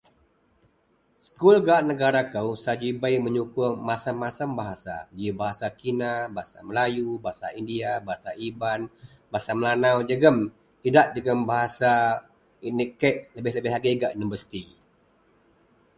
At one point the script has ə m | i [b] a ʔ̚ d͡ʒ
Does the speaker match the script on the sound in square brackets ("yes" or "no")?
no